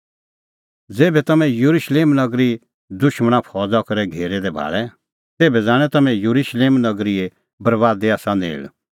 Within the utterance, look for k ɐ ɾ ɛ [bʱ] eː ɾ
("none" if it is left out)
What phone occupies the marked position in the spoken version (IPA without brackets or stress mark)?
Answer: ɡʱ